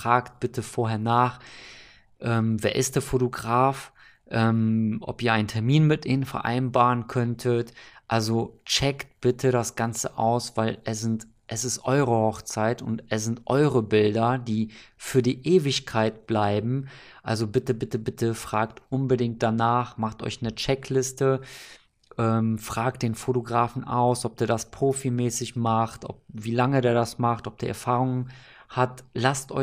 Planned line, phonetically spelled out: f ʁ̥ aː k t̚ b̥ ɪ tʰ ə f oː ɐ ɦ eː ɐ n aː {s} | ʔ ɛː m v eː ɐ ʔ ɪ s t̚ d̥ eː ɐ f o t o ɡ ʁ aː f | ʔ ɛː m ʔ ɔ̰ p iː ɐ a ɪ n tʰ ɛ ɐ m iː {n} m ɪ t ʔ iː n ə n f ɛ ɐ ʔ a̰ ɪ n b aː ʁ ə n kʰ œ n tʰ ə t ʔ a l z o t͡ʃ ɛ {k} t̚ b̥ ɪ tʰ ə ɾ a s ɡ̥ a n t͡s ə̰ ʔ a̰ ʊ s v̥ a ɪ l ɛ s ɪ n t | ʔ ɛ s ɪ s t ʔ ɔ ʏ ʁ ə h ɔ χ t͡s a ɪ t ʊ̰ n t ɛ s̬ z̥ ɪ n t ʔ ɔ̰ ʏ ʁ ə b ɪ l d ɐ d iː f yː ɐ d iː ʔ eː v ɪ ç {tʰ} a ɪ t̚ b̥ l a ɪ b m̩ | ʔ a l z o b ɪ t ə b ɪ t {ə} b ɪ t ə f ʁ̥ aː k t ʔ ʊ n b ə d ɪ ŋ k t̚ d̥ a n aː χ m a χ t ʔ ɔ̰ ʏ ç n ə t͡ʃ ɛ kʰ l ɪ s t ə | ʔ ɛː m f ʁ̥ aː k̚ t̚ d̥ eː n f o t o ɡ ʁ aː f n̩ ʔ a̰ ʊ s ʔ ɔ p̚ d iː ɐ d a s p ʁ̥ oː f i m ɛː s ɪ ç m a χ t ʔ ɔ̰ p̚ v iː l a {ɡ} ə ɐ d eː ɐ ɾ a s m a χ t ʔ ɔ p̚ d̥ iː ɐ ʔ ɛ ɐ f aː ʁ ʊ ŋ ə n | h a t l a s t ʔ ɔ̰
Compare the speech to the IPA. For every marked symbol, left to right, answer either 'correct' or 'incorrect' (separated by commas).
incorrect, correct, correct, incorrect, correct, incorrect